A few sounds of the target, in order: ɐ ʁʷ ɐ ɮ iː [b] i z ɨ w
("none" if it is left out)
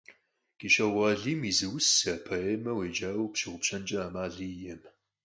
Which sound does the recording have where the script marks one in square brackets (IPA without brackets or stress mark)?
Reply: m